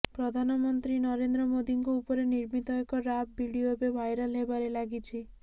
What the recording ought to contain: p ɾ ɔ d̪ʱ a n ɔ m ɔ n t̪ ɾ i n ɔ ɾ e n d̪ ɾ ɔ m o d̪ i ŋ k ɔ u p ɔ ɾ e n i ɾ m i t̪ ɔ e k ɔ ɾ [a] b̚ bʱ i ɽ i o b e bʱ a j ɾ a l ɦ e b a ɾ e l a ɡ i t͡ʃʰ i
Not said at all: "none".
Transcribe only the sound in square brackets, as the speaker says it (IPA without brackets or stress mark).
a